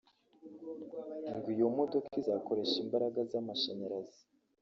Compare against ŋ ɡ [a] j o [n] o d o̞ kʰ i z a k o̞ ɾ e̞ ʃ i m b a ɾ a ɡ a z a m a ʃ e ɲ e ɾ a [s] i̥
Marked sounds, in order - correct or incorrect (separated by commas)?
incorrect, incorrect, incorrect